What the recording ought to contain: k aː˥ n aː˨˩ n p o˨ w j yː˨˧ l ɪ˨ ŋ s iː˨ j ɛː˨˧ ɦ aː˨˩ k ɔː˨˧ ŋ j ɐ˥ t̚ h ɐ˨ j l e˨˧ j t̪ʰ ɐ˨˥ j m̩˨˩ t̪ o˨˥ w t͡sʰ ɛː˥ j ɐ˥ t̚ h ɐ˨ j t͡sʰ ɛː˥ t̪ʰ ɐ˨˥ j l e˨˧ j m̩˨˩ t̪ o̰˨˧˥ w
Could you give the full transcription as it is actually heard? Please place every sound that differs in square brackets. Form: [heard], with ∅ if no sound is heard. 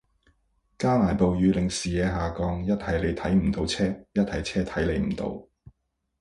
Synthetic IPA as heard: k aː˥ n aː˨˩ n p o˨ w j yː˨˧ l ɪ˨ ŋ s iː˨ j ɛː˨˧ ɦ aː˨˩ k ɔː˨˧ ŋ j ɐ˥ t̚ h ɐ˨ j l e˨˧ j t̪ʰ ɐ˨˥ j m̩˨˩ t̪ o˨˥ w t͡sʰ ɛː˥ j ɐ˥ t̚ h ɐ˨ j t͡sʰ ɛː˥ t̪ʰ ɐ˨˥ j l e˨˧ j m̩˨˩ t̪ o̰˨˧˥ w